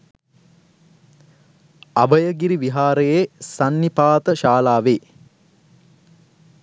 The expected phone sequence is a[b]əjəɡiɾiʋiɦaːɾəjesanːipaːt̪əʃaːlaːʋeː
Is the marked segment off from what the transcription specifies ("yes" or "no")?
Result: no